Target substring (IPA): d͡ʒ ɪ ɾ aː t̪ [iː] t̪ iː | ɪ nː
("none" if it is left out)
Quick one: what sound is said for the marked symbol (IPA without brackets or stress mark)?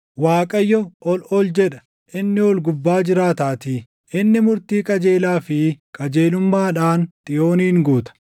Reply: aː